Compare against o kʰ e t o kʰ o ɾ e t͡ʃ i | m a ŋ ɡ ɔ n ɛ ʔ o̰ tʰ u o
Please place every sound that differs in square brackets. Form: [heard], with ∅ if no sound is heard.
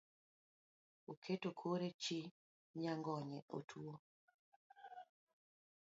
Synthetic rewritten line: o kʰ e t o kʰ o ɾ e t͡ʃ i | [ɲ] a ŋ ɡ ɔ [ɲ] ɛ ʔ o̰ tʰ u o